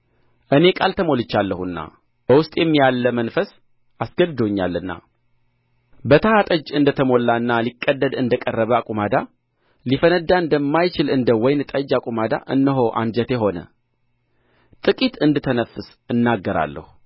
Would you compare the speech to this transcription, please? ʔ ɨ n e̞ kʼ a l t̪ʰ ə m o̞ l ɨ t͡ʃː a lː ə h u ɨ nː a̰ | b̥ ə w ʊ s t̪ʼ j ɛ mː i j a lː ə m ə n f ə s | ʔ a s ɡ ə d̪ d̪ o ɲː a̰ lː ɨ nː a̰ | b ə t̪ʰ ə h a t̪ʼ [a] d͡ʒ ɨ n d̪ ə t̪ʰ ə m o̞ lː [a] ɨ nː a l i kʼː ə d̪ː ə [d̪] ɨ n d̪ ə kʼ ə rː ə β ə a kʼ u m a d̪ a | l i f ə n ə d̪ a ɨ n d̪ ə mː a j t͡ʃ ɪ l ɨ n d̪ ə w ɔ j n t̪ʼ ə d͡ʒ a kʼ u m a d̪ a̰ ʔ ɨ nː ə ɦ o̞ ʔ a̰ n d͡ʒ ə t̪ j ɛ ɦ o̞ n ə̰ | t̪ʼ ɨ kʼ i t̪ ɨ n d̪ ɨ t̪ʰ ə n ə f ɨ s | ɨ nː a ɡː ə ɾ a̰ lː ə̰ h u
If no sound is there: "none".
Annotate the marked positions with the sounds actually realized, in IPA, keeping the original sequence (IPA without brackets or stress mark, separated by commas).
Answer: ə, a, d̪